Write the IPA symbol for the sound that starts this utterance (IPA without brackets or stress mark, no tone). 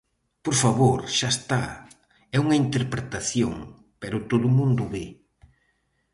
p